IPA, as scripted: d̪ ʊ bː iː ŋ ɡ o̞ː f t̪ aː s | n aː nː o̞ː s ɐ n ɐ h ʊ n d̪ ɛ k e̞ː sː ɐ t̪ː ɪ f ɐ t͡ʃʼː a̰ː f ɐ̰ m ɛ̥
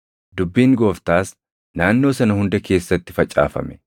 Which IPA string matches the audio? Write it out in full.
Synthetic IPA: d̪ ʊ bː iː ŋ ɡ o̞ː f t̪ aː s | n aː nː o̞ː s ɐ n ɐ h ʊ n d̪ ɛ k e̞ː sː ɐ t̪ː ɪ f ɐ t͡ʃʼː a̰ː f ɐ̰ m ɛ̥